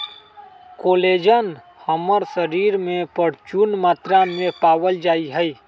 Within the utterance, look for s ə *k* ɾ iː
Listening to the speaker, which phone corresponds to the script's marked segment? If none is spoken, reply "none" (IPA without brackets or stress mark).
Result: none